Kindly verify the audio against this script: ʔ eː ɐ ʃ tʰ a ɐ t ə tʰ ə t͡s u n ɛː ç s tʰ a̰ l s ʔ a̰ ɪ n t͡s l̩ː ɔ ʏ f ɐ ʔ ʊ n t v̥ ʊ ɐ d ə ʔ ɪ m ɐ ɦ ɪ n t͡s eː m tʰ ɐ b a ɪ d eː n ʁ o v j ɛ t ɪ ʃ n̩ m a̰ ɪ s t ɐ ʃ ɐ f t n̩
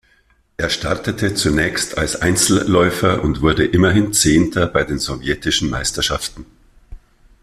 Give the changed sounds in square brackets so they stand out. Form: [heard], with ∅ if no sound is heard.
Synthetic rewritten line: ʔ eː ɐ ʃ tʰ a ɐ t ə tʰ ə t͡s u n ɛː ç s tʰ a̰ l s ʔ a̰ ɪ n t͡s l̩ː ɔ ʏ f ɐ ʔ ʊ n t v̥ ʊ ɐ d ə ʔ ɪ m ɐ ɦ ɪ n t͡s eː [n] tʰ ɐ b a ɪ d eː n [z] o v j ɛ t ɪ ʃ n̩ m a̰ ɪ s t ɐ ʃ [a] f t n̩